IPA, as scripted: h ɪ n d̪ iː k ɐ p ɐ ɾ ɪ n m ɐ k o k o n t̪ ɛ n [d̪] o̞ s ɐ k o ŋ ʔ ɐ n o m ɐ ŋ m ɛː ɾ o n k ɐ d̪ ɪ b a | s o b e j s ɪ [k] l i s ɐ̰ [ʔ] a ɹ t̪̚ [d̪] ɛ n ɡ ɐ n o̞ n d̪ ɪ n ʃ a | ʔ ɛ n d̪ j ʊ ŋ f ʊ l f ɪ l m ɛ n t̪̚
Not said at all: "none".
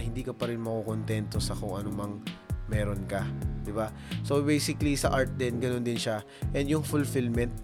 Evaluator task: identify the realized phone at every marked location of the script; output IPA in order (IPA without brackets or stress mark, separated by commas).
t̪, k, ʔ, d̪